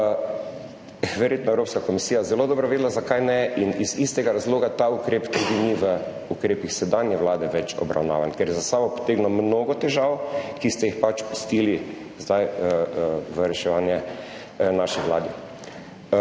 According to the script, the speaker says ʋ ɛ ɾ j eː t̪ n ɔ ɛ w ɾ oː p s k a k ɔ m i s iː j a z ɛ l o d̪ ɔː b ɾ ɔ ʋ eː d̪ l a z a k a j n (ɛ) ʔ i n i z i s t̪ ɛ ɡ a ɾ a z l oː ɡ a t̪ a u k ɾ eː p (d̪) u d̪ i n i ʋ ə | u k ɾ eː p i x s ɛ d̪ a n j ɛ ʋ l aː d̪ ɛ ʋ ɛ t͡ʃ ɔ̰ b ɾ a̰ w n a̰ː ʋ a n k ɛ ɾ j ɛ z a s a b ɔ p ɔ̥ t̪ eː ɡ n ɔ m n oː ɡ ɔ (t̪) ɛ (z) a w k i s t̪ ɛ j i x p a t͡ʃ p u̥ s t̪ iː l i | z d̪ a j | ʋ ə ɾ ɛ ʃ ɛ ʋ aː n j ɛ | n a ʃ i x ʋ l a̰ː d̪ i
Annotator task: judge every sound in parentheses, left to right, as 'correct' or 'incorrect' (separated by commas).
correct, incorrect, correct, incorrect